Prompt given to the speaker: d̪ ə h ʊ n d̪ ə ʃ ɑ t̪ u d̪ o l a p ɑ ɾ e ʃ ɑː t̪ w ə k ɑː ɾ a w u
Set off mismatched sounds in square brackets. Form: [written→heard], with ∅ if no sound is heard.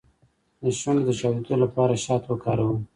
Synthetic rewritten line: d̪ ə [h→ʃ] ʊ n d̪ ə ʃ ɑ [t̪→d̪] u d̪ o l a p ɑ ɾ [e→a] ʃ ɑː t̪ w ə k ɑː ɾ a w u